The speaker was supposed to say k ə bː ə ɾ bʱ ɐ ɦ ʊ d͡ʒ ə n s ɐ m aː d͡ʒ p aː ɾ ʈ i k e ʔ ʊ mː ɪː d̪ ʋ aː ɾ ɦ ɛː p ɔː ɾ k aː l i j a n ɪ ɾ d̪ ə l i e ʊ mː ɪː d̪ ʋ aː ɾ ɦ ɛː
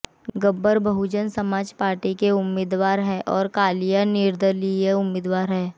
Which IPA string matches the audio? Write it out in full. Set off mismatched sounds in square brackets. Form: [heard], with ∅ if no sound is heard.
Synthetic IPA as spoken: [ɡ] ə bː ə ɾ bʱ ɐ ɦ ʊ d͡ʒ ə n s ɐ m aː d͡ʒ p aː ɾ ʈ i k e [∅] ʊ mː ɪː d̪ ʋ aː ɾ ɦ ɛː [ʔ] ɔː ɾ k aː l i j a n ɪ ɾ d̪ ə l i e ʊ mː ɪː d̪ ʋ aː ɾ ɦ ɛː